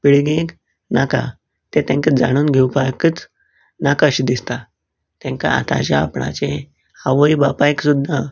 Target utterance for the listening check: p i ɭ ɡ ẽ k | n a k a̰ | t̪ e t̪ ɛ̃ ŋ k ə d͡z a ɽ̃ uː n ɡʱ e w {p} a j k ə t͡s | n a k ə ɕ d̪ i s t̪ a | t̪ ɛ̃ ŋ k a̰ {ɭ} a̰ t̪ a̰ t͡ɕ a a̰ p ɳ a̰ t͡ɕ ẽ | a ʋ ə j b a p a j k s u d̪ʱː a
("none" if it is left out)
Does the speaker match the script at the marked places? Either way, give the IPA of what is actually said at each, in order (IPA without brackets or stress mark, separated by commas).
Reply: p, none